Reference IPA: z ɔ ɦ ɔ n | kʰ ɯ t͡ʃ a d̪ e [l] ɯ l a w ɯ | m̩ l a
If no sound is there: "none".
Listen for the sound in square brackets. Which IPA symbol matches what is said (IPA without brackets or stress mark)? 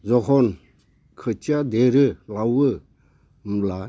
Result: ɾ